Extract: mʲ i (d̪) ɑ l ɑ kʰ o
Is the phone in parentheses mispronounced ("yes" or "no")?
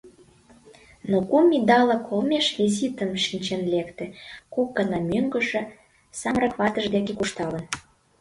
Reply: no